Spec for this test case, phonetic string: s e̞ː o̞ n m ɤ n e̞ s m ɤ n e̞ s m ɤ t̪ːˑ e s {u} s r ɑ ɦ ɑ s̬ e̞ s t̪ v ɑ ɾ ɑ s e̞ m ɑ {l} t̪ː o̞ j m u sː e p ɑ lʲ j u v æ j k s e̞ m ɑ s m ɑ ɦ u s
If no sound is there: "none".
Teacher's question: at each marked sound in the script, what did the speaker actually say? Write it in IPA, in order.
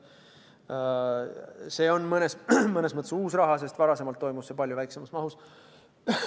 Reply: uː, l

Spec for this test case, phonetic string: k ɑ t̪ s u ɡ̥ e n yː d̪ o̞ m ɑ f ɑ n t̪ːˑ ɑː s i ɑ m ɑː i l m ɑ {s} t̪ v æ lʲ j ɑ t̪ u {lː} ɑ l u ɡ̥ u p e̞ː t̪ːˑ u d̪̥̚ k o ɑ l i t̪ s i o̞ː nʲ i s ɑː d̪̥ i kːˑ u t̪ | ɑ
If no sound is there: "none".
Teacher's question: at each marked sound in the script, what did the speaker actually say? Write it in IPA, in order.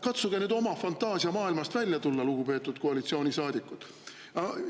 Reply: s, lː

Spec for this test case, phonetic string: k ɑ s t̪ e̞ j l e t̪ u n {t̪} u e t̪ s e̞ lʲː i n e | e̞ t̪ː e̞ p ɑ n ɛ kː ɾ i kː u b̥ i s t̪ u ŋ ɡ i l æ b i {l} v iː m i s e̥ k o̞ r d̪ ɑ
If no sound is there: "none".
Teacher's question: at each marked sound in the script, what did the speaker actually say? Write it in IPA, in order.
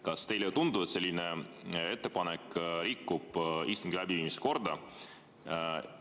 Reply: d̪, none

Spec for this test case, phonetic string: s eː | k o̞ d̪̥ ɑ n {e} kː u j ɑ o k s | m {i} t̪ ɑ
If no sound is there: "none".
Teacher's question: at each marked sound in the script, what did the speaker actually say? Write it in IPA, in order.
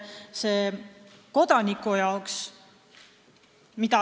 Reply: i, i

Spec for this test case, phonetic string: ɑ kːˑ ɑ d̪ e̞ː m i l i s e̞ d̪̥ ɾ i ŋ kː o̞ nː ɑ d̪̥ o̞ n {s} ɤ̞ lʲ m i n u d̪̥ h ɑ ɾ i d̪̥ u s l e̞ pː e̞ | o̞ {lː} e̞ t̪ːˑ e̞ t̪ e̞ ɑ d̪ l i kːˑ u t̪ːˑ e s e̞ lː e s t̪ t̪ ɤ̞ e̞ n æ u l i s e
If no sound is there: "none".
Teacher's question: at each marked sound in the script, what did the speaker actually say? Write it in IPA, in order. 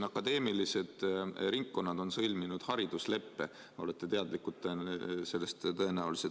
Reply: s, l

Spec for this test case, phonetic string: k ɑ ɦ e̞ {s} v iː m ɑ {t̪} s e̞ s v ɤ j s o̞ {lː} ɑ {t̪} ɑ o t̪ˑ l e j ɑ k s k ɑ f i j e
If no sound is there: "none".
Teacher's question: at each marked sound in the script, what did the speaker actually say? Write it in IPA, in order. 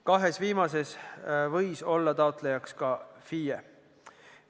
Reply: s, none, lː, t̪

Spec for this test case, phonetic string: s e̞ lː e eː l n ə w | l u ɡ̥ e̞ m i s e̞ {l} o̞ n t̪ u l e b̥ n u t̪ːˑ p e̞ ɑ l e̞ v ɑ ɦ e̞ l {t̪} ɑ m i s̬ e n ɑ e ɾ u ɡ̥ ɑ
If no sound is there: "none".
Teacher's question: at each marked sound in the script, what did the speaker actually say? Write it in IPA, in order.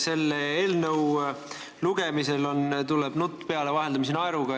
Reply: l, d̪

